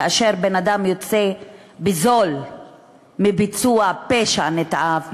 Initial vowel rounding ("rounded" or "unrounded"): unrounded